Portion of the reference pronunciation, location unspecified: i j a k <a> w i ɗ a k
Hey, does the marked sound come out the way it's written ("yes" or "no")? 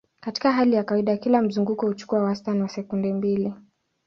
yes